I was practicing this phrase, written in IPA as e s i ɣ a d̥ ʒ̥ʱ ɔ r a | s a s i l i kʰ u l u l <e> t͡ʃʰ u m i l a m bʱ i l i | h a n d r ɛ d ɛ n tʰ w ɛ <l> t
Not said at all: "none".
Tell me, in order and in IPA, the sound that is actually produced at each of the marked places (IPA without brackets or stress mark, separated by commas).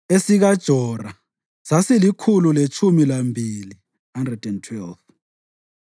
e, l